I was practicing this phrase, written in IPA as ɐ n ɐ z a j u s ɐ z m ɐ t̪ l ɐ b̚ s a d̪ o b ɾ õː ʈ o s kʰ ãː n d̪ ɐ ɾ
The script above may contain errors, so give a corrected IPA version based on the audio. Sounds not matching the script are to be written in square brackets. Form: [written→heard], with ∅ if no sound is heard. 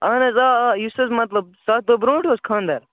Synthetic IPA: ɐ n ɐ z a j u s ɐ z m ɐ t̪ l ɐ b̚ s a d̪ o b ɾ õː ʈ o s kʰ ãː n d̪ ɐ ɾ

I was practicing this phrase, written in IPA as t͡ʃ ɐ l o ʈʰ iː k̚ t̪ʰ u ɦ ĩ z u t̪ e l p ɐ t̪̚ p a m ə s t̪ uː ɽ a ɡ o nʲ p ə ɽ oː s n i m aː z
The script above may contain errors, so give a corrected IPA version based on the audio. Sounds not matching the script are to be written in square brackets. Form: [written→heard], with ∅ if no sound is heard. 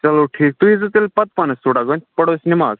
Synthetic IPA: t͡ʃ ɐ l o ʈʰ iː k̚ [t̪ʰ→t̪] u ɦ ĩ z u t̪ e l p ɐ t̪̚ p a [m→n] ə s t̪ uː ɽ a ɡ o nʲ p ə ɽ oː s n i m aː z

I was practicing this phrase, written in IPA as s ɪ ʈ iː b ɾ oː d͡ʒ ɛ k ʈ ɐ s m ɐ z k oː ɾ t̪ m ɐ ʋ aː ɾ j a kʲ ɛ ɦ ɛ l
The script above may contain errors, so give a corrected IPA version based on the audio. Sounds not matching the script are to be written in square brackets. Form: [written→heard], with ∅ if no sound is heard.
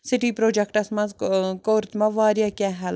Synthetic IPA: s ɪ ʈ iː [b→p] ɾ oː d͡ʒ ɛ k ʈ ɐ s m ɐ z k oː ɾ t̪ m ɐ ʋ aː ɾ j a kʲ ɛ ɦ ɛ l

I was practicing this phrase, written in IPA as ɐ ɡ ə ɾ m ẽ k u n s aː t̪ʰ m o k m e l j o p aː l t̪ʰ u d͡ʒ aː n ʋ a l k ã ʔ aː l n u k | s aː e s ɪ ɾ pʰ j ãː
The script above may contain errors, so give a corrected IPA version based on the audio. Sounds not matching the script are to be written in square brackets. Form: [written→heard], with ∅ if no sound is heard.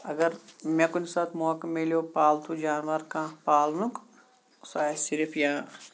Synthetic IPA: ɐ ɡ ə ɾ m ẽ k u n s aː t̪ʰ m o k m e l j o p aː l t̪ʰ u d͡ʒ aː n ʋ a [l→ɾ] k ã [ʔ→p] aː l n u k | s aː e s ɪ ɾ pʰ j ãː

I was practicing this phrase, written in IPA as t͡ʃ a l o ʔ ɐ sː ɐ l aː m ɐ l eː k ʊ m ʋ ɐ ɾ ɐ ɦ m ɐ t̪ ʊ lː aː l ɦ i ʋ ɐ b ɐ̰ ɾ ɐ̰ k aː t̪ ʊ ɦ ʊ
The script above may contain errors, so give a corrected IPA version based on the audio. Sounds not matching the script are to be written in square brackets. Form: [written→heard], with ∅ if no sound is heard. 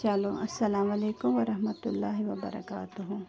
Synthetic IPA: t͡ʃ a l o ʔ ɐ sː ɐ l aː m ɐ l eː k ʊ m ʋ ɐ ɾ ɐ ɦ m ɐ t̪ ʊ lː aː [l→∅] ɦ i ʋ ɐ b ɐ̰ ɾ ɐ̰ k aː t̪ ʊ ɦ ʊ

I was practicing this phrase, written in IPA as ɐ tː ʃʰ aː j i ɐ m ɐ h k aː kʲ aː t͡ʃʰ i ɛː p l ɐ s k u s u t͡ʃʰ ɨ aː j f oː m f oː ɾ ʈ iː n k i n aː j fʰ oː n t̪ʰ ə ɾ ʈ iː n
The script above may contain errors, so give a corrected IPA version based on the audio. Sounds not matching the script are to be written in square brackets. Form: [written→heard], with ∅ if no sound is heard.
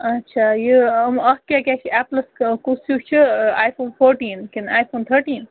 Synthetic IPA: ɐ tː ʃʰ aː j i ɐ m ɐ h k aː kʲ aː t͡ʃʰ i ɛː p l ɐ s k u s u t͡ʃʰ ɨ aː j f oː [m→n] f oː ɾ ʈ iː n k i n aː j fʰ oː n t̪ʰ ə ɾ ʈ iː n

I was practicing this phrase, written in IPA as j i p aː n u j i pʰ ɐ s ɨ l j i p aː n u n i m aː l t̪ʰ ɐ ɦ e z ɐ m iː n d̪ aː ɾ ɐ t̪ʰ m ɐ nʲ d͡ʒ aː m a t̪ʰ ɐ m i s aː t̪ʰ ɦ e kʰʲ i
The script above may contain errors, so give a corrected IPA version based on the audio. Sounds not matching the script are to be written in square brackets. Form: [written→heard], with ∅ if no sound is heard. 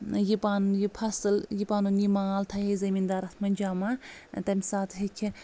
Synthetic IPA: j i p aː n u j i pʰ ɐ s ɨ l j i p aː n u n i m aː l t̪ʰ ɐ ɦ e z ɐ m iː n d̪ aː ɾ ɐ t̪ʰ m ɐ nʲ d͡ʒ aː m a [t̪ʰ→t̪] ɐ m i s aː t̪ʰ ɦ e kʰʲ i

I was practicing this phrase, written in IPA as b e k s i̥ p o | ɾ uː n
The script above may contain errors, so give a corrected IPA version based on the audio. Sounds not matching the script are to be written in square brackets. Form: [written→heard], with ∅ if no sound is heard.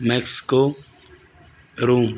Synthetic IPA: [b→m] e k s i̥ [p→k] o | ɾ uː [n→m]

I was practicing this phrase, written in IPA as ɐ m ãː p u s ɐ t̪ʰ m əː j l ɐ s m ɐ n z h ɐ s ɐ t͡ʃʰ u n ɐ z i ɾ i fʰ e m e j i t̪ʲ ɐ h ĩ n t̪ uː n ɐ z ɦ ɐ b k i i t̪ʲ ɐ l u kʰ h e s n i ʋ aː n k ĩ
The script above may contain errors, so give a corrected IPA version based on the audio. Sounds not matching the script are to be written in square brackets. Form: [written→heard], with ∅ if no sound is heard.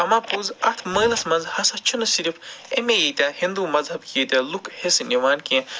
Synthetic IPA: ɐ m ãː p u [s→z] ɐ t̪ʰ m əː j l ɐ s m ɐ n z h ɐ s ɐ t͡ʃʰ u n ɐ [z→s] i ɾ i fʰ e m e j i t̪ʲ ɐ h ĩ n [t̪→d̪] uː [n→m] ɐ z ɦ ɐ b k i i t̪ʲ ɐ l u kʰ h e s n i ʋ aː n k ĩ

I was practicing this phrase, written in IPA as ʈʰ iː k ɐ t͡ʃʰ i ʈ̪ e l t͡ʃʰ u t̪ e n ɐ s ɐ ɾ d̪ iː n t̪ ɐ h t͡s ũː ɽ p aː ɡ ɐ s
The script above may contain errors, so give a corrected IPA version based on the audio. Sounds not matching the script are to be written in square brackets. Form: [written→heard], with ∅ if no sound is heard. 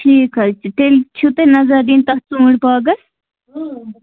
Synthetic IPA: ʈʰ iː k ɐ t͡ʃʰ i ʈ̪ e l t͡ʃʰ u t̪ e n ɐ [s→z] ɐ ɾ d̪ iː n t̪ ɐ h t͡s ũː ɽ p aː ɡ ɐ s

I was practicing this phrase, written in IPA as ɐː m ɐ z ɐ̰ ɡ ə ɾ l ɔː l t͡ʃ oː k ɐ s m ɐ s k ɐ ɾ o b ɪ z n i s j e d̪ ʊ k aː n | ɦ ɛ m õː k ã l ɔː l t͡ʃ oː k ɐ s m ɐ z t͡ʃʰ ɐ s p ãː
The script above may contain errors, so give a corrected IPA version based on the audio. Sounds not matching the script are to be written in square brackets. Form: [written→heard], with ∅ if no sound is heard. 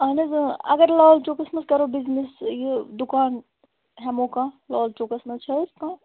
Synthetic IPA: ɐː [m→n] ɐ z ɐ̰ ɡ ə ɾ l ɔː l t͡ʃ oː k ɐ s m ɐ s k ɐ ɾ o b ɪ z n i s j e d̪ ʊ k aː n | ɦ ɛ m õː k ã l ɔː l t͡ʃ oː k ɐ s m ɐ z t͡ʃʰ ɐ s [p→k] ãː

